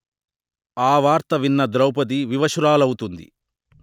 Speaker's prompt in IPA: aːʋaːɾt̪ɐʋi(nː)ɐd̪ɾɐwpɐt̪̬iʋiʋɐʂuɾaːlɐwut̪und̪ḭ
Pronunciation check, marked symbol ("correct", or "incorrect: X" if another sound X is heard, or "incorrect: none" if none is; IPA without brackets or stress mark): correct